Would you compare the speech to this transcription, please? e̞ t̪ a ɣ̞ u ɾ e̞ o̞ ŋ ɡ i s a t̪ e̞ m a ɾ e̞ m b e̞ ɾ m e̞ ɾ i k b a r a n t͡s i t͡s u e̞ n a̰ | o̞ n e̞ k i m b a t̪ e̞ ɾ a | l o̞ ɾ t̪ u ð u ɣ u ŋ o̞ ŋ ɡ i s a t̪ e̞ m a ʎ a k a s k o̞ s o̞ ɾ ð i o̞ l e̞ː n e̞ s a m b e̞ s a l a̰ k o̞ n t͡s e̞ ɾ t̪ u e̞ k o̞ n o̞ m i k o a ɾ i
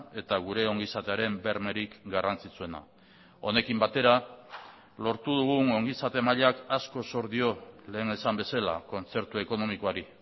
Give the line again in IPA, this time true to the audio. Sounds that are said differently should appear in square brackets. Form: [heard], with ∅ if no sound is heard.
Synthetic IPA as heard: e̞ t̪ a ɣ̞ u ɾ e̞ o̞ ŋ ɡ i s a t̪ e̞ [∅] a ɾ e̞ m b e̞ ɾ m e̞ ɾ i k [ɡ] a r a n t͡s i t͡s u e̞ n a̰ | o̞ n e̞ k i m b a t̪ e̞ ɾ a | l o̞ ɾ t̪ u ð u ɣ u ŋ o̞ ŋ ɡ i s a t̪ e̞ m a ʎ a k a s k o̞ s o̞ ɾ ð i o̞ l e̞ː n e̞ s a m b e̞ s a l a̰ k o̞ n t͡s e̞ ɾ t̪ u e̞ k o̞ n o̞ m i k o a ɾ i